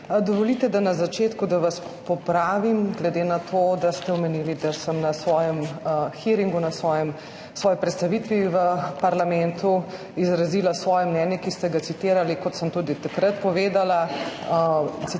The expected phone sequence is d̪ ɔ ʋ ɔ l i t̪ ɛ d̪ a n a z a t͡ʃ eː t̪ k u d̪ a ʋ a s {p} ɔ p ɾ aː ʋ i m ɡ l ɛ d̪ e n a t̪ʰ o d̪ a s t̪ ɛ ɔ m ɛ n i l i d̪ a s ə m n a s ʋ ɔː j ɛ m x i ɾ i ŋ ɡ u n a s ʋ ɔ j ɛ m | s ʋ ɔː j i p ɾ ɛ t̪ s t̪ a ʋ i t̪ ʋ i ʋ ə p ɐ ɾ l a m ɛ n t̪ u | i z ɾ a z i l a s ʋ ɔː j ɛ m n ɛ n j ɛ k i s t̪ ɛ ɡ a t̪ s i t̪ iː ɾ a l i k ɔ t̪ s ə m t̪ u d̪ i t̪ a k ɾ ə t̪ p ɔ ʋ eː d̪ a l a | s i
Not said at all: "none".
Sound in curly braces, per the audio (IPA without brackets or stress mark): p